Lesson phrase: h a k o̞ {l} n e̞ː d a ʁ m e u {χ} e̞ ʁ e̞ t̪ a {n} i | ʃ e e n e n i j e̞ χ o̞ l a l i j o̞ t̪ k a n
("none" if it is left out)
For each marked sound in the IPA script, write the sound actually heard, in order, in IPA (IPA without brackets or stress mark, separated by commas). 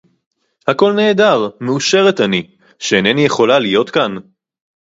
l, ʃ, n